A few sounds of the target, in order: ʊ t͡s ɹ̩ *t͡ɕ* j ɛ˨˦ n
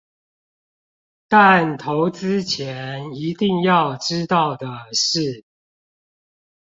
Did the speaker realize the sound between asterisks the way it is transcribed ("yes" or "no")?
no